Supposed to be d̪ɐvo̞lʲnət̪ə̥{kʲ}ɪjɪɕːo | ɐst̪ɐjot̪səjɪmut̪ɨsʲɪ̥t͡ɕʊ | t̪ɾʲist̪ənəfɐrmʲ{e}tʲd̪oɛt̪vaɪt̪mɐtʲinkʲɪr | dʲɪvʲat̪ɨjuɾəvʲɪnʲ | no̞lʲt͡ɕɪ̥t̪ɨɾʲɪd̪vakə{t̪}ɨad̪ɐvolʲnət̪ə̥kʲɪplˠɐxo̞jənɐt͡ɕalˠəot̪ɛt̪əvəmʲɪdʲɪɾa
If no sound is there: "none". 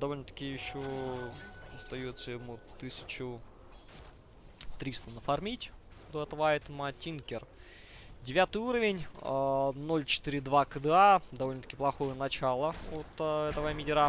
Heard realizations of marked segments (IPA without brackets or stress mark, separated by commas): kʲ, i, d̪